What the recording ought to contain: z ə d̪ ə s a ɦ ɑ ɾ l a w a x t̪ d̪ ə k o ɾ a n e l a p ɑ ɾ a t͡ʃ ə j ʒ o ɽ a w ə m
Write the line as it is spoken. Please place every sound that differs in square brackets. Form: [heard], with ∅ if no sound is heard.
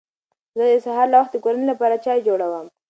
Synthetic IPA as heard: z ə d̪ ə s a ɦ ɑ ɾ l a w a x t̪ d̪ ə k o ɾ a n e l a p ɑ ɾ a t͡ʃ [ɑ] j [d͡ʒ] o ɽ a w ə m

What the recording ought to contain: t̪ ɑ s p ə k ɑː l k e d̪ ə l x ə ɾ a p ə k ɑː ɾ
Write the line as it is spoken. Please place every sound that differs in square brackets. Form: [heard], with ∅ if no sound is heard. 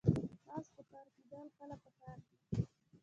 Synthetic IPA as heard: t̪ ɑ s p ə k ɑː [ɾ] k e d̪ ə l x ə [l] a p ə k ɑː ɾ

